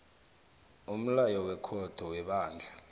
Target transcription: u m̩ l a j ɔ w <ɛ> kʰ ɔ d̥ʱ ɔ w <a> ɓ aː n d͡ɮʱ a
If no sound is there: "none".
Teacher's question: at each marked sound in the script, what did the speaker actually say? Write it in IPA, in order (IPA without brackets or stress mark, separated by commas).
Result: ɛ, ɛ